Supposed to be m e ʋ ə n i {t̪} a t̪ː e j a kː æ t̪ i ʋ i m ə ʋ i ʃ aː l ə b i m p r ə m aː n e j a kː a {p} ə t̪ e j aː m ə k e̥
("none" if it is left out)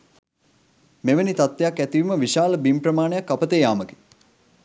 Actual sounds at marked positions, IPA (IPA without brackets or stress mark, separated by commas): t̪, p